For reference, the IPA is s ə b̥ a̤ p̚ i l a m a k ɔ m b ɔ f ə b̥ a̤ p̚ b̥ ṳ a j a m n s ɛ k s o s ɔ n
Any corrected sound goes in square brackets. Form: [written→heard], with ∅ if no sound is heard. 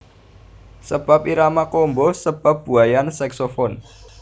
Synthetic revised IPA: s ə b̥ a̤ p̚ i [l→ɾ] a m a k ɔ m b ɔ [f→s] ə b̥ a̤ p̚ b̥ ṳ a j a [m→∅] n s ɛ k s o [s→f] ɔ n